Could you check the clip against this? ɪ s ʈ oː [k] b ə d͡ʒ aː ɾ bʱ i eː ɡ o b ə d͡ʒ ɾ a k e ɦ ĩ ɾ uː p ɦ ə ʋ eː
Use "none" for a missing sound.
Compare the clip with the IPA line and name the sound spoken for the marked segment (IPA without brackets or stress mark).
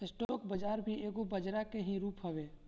k